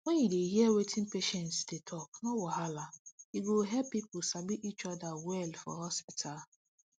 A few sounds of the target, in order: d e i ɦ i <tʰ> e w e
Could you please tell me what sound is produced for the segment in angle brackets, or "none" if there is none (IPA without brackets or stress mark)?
none